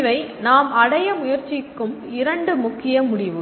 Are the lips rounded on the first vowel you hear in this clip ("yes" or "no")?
no